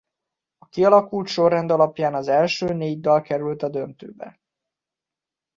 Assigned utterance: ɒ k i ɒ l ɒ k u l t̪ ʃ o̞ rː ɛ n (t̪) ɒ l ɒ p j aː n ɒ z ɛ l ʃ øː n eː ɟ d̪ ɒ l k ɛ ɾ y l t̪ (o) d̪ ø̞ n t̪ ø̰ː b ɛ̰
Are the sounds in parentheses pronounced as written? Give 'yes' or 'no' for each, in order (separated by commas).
no, no